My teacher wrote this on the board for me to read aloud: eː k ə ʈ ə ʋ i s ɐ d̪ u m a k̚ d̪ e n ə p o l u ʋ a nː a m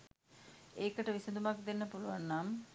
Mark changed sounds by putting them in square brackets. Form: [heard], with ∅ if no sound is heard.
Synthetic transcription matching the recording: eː k ə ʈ ə ʋ i s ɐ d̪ u m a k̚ d̪ e [nː] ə p [u] l u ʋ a nː a m